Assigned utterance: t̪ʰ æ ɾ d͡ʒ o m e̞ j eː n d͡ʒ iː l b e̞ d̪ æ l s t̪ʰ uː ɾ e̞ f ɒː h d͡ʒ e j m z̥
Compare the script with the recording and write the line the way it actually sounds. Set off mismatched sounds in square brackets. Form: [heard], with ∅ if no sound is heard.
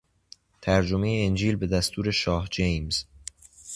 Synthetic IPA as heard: t̪ʰ æ ɾ d͡ʒ o m e̞ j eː n d͡ʒ iː l b e̞ d̪ æ [∅] s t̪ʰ uː ɾ e̞ [ʃ] ɒː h d͡ʒ e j m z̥